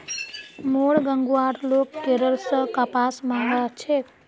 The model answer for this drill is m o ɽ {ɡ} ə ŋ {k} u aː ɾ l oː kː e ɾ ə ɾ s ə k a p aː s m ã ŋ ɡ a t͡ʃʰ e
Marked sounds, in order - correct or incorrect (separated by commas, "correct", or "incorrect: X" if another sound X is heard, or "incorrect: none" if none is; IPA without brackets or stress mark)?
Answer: correct, incorrect: ɡ